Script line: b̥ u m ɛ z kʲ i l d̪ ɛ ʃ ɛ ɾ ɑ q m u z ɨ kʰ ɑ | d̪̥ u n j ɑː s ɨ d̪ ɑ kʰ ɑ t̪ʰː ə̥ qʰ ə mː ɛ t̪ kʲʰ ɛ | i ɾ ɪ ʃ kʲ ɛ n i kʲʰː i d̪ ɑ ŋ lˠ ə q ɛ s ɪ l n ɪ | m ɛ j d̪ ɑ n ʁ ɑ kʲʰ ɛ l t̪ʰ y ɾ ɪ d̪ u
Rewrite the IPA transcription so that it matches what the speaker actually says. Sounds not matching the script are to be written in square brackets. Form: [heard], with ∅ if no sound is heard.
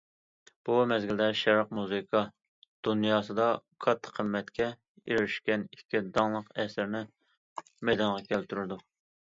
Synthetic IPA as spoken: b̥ u m ɛ z [ɡʲ] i l d̪ ɛ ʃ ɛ ɾ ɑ q m u z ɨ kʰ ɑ | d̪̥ u n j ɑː s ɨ d̪ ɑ kʰ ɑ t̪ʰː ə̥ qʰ ə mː ɛ t̪ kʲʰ ɛ | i ɾ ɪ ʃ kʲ ɛ n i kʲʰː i d̪ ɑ ŋ lˠ ə q ɛ s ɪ [ɾ] n ɪ | m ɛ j d̪ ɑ n ʁ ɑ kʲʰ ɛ l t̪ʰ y ɾ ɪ d̪ u